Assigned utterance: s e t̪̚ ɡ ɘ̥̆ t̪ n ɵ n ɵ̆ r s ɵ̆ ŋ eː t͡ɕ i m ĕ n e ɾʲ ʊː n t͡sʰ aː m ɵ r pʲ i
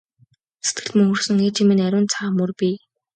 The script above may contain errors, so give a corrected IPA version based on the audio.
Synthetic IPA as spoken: s e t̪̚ ɡ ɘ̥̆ t̪ m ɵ ŋ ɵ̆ r s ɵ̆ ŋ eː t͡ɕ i m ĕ n æ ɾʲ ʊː n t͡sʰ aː m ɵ r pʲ i